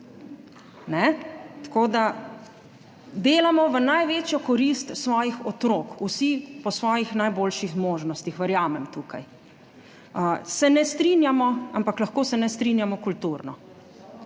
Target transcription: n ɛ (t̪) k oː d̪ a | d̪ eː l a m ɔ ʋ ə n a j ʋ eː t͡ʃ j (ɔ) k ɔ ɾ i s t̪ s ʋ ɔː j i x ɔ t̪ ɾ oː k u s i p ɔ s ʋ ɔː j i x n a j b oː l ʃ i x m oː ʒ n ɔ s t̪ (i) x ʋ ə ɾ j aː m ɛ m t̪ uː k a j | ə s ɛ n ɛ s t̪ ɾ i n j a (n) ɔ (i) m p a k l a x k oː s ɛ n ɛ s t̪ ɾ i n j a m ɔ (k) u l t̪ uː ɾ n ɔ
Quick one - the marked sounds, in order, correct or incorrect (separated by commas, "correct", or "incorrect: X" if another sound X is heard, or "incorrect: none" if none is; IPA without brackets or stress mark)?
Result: correct, correct, correct, incorrect: m, incorrect: a, correct